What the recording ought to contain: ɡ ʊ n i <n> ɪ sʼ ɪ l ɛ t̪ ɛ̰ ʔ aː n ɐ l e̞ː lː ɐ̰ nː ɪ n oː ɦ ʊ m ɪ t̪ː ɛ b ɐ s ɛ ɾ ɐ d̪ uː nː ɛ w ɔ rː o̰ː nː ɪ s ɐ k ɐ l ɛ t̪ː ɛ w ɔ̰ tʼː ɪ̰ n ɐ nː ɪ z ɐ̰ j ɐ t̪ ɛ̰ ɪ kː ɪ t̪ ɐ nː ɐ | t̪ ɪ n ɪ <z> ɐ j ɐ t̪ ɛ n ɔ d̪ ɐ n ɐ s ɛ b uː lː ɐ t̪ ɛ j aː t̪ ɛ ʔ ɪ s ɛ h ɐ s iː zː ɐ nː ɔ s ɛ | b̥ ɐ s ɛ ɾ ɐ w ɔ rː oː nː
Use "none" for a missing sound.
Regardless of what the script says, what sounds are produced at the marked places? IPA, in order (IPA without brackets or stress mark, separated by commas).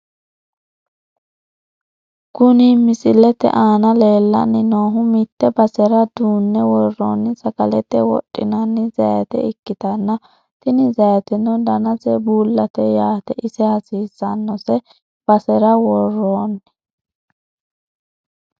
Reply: m, z